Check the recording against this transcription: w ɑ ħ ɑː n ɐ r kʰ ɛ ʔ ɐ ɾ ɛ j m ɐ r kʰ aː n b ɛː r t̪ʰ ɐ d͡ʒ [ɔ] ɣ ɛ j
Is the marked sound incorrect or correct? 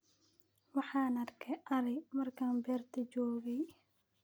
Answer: incorrect